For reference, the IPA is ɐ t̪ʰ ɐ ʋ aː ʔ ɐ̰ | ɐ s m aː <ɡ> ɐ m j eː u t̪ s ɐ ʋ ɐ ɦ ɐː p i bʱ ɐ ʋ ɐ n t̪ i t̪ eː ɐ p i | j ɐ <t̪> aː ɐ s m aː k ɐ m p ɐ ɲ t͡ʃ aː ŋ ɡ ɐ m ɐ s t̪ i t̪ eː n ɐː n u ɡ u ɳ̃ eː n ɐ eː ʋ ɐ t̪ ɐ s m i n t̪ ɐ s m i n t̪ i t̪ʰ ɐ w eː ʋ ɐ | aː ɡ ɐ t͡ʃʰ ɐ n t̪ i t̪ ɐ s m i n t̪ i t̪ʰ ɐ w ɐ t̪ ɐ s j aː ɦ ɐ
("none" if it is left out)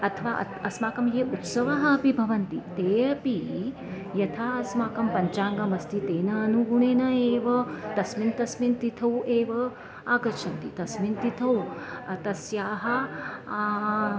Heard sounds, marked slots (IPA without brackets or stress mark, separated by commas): k, t̪ʰ